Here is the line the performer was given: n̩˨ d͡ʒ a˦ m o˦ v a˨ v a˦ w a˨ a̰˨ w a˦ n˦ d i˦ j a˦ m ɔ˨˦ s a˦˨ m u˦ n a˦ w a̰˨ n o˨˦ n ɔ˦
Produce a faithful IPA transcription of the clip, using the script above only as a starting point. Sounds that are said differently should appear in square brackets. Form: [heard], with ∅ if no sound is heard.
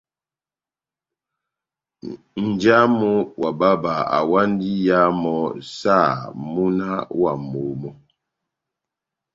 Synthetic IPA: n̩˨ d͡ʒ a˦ m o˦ [w] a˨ [b] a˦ [b] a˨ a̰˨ w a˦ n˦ d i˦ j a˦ m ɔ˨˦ s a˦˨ m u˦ n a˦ w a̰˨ [m] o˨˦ [m] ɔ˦